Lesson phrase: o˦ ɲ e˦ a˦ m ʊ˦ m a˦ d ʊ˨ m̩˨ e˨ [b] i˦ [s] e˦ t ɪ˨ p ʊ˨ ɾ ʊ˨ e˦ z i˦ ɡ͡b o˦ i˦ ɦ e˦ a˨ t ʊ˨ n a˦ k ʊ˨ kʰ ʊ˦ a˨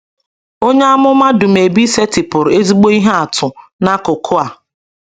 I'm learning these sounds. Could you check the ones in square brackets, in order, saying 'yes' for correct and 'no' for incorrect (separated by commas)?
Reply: yes, yes